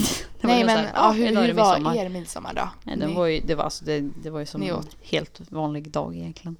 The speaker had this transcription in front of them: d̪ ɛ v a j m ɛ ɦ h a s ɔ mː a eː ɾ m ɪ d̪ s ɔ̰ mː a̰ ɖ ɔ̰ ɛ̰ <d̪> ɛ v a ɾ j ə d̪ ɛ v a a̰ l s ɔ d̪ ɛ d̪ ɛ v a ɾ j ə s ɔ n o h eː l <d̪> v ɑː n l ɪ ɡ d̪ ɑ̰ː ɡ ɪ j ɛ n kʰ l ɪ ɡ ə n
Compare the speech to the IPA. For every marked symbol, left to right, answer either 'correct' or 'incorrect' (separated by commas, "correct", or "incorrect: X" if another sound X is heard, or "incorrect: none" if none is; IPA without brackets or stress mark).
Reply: correct, incorrect: t̪